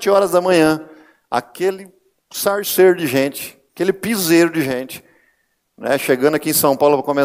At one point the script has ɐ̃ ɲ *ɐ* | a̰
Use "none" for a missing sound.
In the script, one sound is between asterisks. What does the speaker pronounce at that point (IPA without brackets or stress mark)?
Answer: ɐ̃